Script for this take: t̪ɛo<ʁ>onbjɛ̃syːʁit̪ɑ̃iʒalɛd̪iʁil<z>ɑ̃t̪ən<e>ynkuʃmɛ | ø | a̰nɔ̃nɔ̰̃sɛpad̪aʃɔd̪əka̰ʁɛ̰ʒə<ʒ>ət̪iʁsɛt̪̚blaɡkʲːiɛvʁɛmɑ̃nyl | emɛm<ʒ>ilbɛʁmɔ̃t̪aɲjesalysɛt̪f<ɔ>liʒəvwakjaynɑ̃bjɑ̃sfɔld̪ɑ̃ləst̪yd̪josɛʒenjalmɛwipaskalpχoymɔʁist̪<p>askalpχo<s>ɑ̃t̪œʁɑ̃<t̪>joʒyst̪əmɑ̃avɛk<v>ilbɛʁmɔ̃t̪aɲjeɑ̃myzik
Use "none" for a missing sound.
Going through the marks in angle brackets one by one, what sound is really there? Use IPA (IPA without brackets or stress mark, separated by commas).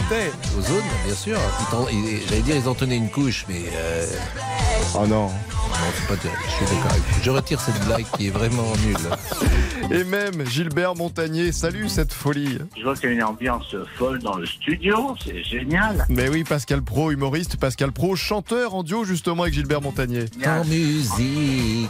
z, z, ɛ, ʁ, ʒ, ɔ, p, ʃ, d̪, ʒ